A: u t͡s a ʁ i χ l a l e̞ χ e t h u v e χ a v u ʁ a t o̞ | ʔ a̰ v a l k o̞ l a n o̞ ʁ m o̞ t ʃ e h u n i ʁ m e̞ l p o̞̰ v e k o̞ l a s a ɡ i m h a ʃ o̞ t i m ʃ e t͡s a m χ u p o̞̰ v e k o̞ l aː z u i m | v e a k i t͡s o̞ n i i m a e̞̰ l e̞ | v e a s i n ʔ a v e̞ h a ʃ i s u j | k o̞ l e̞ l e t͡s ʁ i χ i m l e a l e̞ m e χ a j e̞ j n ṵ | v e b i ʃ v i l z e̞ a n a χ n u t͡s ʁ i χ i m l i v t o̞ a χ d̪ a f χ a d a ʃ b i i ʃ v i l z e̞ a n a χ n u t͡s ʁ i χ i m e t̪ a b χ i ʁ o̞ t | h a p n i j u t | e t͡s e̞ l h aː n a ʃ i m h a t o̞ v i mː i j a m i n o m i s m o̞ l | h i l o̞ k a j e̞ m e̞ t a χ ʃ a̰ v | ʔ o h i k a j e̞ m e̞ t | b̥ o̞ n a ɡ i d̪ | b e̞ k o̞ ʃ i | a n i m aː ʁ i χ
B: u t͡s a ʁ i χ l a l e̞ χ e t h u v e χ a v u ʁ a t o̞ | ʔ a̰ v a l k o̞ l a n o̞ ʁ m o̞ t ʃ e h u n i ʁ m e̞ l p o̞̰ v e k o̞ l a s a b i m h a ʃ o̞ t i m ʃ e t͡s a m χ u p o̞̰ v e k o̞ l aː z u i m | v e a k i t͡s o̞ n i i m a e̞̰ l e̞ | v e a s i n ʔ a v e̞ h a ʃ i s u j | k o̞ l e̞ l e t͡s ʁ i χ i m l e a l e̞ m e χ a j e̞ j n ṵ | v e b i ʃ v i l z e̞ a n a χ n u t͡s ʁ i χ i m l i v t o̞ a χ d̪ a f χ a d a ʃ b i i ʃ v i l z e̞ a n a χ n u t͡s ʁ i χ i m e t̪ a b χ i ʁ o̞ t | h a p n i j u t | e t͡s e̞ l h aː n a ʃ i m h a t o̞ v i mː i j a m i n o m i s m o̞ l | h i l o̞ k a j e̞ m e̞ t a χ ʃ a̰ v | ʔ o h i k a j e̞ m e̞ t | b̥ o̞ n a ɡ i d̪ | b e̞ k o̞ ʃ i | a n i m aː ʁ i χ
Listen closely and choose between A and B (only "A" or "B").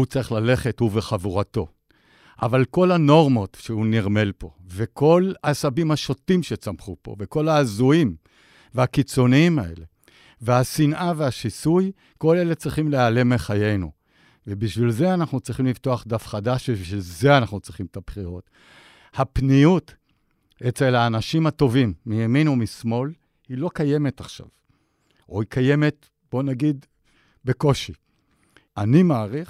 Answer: B